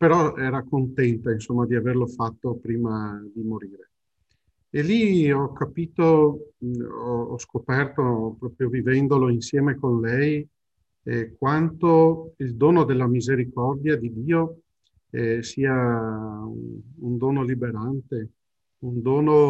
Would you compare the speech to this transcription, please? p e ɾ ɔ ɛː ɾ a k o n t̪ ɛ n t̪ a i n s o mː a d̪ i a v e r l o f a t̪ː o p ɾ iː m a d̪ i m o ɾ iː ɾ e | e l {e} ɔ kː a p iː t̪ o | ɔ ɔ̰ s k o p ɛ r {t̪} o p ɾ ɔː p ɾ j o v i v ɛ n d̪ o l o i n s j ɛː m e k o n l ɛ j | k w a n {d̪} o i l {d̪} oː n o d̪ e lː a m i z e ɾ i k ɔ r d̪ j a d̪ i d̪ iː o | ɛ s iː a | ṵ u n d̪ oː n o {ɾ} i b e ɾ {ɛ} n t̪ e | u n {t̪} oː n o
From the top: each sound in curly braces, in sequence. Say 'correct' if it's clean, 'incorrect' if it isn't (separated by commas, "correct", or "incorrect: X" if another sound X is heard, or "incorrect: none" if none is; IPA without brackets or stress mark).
incorrect: i, correct, incorrect: t̪, correct, incorrect: l, incorrect: a, incorrect: d̪